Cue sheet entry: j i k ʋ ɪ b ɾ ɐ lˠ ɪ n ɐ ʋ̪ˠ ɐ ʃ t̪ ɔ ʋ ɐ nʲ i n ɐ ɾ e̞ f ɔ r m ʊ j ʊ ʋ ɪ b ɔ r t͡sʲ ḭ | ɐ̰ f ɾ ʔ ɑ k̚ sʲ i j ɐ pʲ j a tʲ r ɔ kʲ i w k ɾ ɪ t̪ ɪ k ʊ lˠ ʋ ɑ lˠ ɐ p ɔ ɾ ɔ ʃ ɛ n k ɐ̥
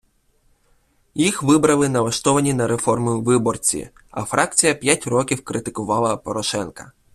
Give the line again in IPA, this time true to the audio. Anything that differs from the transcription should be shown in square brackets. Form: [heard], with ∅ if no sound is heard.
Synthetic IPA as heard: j i [x] ʋ ɪ b ɾ ɐ lˠ ɪ n ɐ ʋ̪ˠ ɐ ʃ t̪ ɔ ʋ ɐ nʲ i n ɐ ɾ e̞ f ɔ r m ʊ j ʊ ʋ ɪ b ɔ r t͡sʲ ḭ | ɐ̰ f ɾ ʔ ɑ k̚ [t͡sʲ] i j ɐ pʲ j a tʲ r ɔ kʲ i w k ɾ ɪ t̪ ɪ k ʊ [∅] ʋ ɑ lˠ ɐ p ɔ ɾ ɔ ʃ ɛ n k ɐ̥

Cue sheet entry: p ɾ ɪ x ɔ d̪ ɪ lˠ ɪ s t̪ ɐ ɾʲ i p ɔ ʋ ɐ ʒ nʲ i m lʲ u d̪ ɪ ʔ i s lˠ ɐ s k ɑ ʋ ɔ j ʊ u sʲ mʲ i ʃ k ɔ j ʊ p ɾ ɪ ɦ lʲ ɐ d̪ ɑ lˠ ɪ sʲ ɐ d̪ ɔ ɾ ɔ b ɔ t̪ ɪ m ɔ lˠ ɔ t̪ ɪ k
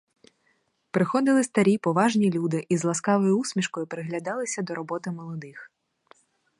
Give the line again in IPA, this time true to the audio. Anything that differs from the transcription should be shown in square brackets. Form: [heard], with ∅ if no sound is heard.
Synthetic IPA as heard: p ɾ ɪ x ɔ d̪ ɪ lˠ ɪ s t̪ ɐ ɾʲ i p ɔ ʋ [ɑ] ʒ nʲ i [∅] lʲ u d̪ ɪ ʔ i [z] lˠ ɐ s k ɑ ʋ ɔ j ʊ u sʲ mʲ i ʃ k ɔ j ʊ p ɾ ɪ ɦ lʲ ɐ d̪ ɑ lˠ ɪ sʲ ɐ d̪ ɔ ɾ ɔ b ɔ t̪ ɪ m ɔ lˠ ɔ [d̪] ɪ [x]

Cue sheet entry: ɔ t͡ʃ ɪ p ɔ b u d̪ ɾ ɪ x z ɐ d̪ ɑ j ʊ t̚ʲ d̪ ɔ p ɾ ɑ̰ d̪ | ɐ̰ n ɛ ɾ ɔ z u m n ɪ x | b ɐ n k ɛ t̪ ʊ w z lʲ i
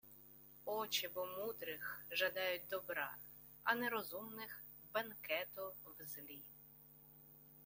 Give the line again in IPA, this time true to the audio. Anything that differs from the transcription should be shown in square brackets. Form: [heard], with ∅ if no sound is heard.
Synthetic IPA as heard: ɔ t͡ʃ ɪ [b] ɔ [m] u d̪ ɾ ɪ x [ʒ] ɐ d̪ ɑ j ʊ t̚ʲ d̪ ɔ [b] ɾ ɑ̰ [∅] | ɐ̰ n ɛ ɾ ɔ z u m n ɪ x | b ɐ n k ɛ t̪ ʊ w z lʲ i

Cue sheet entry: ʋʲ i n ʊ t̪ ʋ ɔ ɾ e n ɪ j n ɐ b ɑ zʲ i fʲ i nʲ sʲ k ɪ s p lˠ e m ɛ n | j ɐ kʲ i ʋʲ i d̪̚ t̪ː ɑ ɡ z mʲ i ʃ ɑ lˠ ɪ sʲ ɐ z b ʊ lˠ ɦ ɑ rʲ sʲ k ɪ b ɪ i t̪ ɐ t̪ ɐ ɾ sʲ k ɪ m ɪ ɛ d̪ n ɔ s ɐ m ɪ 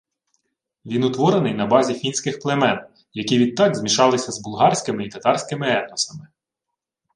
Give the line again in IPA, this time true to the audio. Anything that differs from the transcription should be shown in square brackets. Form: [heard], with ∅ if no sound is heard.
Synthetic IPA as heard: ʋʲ i n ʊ t̪ ʋ ɔ ɾ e n ɪ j n ɐ b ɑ zʲ i fʲ i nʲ sʲ k ɪ [x] p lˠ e m ɛ n | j ɐ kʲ i ʋʲ i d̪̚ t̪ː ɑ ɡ z mʲ i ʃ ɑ lˠ ɪ sʲ ɐ z b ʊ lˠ ɦ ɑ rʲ sʲ k ɪ [m] ɪ i t̪ ɐ t̪ [ɑ] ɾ sʲ k ɪ m ɪ ɛ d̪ n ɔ s ɐ m ɪ

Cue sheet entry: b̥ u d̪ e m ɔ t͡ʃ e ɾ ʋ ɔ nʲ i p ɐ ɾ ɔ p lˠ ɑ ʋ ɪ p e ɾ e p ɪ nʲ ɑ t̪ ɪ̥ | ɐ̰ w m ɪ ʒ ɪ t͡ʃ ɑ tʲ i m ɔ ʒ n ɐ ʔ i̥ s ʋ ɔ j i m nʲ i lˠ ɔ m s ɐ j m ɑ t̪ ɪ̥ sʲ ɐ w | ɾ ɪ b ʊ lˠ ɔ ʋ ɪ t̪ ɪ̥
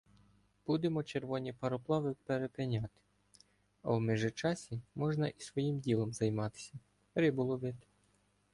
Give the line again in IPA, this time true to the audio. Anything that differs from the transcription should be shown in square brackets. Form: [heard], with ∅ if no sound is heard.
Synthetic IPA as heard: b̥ u d̪ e m ɔ t͡ʃ e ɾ ʋ ɔ nʲ i p ɐ ɾ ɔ p lˠ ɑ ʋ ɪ p e ɾ e p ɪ nʲ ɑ t̪ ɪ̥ | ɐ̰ w m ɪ ʒ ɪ t͡ʃ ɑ [sʲ] i m ɔ ʒ n ɐ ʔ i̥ s ʋ ɔ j i m [dʲ] i lˠ ɔ m [z] ɐ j m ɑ t̪ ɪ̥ sʲ ɐ [∅] | ɾ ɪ b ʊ lˠ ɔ ʋ ɪ t̪ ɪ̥

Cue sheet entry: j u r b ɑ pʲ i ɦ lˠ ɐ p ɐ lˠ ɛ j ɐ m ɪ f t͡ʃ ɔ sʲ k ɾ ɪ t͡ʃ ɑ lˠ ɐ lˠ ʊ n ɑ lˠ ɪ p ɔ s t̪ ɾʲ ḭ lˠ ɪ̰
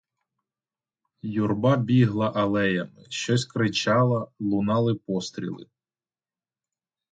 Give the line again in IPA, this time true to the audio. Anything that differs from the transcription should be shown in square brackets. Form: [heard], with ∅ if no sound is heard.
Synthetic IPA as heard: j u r b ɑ [bʲ] i ɦ lˠ ɐ [ʔ] ɐ lˠ ɛ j ɐ m ɪ [ʃ] t͡ʃ ɔ sʲ k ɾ ɪ t͡ʃ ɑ lˠ ɐ lˠ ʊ n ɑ lˠ ɪ p ɔ s t̪ ɾʲ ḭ lˠ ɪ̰

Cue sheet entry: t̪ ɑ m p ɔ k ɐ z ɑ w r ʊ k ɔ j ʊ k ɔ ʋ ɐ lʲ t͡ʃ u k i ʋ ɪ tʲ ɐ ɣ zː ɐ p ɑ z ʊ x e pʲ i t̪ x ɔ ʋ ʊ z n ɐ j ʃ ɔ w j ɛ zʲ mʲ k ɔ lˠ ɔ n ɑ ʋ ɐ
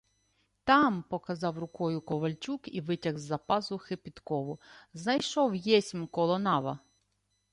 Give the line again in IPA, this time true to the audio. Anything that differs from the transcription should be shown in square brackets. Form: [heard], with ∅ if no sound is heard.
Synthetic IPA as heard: t̪ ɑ m p ɔ k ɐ z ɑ w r ʊ k ɔ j ʊ k ɔ ʋ ɐ lʲ t͡ʃ u k i ʋ ɪ tʲ ɐ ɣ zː ɐ p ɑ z ʊ x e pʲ i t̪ [k] ɔ ʋ ʊ z n ɐ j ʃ ɔ w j ɛ [sʲ] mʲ k ɔ lˠ ɔ n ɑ ʋ ɐ

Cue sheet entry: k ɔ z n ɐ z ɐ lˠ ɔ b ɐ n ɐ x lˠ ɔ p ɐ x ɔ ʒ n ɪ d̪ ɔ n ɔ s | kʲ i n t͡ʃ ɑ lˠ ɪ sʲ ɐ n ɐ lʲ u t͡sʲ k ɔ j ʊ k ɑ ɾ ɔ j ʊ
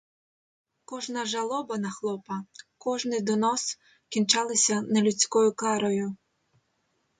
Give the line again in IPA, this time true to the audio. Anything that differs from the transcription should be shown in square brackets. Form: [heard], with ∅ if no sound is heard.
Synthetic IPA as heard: k ɔ [ʒ] n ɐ [ʒ] ɐ lˠ ɔ b ɐ n ɐ x lˠ ɔ p ɐ [k] ɔ ʒ n ɪ d̪ ɔ n ɔ s | kʲ i n t͡ʃ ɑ lˠ ɪ sʲ ɐ n ɐ lʲ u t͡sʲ k ɔ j ʊ k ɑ ɾ ɔ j ʊ

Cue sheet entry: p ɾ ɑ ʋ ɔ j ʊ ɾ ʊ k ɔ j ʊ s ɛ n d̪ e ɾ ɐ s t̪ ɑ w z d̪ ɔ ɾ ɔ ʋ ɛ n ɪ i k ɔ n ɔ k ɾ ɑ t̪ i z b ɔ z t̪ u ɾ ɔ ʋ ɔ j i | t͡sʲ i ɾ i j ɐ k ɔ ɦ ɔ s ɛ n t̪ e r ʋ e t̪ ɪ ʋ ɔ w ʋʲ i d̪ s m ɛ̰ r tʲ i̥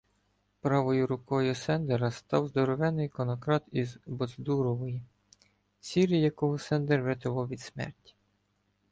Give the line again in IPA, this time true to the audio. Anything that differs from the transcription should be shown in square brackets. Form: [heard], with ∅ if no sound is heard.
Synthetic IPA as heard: p ɾ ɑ ʋ ɔ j ʊ ɾ ʊ k ɔ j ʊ s ɛ n d̪ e ɾ ɐ s t̪ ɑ w z d̪ ɔ ɾ ɔ ʋ ɛ n ɪ [j] k ɔ n ɔ k ɾ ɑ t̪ i z b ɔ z [d̪] u ɾ ɔ ʋ ɔ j i | t͡sʲ i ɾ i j ɐ k ɔ ɦ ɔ s ɛ n [d̪] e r ʋ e t̪ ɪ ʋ ɔ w ʋʲ i d̪ s m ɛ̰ r tʲ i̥

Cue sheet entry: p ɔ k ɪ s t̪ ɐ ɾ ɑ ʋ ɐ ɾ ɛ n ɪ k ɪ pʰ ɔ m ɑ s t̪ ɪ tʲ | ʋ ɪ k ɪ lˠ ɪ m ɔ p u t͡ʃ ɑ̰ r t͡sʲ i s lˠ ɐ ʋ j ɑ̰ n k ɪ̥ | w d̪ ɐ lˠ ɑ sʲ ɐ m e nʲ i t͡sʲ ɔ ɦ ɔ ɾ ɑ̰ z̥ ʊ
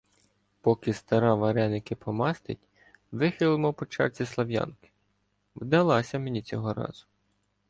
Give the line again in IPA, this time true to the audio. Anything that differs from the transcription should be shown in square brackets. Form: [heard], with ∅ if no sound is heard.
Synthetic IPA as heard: p ɔ k ɪ s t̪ ɐ ɾ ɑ ʋ ɐ ɾ ɛ n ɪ k ɪ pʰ ɔ m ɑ s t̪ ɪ tʲ | ʋ ɪ [x] ɪ lˠ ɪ m ɔ p [ɔ] t͡ʃ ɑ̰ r t͡sʲ i s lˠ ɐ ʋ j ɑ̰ n k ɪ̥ | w d̪ ɐ lˠ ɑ sʲ ɐ m e nʲ i t͡sʲ ɔ ɦ ɔ ɾ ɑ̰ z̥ ʊ

